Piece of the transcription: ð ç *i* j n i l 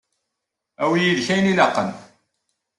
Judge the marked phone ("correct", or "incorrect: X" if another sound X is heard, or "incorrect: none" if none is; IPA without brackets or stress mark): incorrect: æ